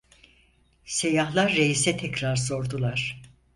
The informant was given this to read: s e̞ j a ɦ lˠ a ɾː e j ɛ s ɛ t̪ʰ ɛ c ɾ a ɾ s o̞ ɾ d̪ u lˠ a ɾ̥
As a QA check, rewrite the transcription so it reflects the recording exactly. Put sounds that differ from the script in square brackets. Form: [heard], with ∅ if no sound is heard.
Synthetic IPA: s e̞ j a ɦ lˠ a ɾː e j [i] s ɛ t̪ʰ ɛ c ɾ a ɾ s o̞ ɾ d̪ u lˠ a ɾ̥